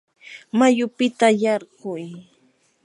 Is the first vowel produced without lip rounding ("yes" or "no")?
yes